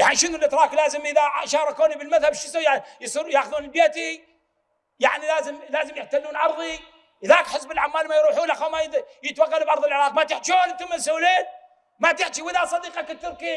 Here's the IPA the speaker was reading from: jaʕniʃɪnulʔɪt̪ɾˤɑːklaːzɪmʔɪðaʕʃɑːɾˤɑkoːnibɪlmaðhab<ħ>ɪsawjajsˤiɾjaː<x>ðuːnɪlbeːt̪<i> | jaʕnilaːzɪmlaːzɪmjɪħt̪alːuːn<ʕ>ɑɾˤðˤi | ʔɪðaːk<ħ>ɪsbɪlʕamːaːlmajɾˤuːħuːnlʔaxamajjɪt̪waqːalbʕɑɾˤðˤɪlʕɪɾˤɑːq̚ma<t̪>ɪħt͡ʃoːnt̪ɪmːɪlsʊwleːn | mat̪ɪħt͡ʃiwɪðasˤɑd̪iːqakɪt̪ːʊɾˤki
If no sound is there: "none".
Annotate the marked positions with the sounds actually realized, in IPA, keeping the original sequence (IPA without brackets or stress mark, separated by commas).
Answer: ʃ, x, i, ʕ, ħ, t̪